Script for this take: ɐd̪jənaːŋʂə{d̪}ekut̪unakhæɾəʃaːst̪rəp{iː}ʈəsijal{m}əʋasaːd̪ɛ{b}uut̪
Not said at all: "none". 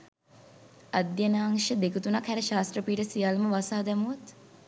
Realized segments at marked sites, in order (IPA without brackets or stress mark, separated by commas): d̪, iː, m, m